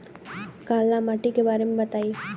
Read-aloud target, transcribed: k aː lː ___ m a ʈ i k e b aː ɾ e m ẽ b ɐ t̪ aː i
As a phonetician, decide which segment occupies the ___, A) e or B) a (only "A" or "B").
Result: B